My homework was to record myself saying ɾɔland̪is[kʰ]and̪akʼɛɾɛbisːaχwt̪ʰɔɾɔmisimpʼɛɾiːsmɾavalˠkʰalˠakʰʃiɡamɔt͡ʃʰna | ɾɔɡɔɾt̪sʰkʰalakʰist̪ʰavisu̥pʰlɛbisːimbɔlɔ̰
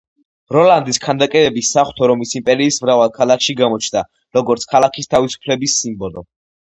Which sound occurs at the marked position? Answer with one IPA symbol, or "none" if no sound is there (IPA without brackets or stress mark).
kʰ